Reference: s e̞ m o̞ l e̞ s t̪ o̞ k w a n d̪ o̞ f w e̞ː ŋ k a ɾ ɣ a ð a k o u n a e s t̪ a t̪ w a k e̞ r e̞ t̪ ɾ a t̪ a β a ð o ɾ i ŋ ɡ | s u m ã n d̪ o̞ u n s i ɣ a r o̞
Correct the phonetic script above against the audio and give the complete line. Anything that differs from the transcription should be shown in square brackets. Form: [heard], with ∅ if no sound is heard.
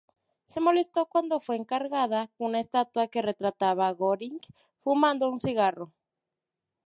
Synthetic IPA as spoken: s e̞ m o̞ l e̞ s t̪ o̞ k w a n d̪ o̞ f w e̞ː ŋ k a ɾ ɣ a ð a k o u n a e s t̪ a t̪ w a k e̞ r e̞ t̪ ɾ a t̪ a β a [ɣ] o ɾ i ŋ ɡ | [f] u m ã n d̪ o̞ u n s i ɣ a r o̞